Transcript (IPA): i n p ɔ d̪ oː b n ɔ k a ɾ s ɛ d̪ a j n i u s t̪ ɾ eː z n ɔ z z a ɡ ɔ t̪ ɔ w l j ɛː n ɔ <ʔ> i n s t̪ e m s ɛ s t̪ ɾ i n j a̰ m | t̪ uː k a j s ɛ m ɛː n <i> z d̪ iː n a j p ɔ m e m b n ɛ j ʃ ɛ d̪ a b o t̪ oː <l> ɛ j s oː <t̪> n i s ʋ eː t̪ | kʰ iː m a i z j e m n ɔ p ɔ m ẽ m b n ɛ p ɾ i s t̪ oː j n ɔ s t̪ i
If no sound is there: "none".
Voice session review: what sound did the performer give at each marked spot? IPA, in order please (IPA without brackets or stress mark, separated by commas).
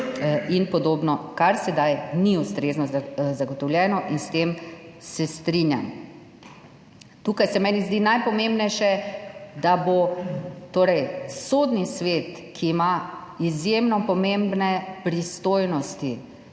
ʔ, i, ɾ, d̪